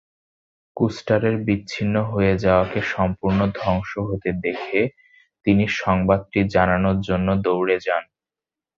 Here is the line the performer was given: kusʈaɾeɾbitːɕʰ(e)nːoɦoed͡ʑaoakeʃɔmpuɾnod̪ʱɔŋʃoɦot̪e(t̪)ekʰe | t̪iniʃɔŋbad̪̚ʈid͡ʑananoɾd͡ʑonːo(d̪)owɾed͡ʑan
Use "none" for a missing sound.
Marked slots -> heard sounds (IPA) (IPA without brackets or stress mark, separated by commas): i, d̪, d̪